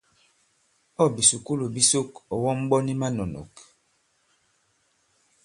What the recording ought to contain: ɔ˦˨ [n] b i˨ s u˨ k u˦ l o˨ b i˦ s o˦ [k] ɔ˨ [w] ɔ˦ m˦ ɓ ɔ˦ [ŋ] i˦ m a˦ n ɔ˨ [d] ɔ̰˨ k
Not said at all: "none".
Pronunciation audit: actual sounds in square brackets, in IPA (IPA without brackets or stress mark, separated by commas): none, k, w, n, n